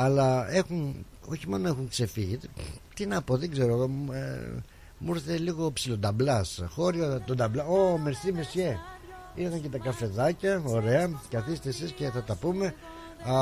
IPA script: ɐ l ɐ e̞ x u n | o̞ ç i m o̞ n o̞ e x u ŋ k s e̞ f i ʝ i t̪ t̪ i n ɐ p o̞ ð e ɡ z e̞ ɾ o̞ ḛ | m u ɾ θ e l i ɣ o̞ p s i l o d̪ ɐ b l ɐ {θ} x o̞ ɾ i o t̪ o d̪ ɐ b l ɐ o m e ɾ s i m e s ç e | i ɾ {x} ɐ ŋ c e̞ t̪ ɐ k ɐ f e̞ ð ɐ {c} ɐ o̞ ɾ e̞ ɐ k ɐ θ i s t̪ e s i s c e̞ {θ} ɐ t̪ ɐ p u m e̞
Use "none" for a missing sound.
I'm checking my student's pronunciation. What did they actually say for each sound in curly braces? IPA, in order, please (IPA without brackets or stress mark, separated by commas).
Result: s, θ, c, θ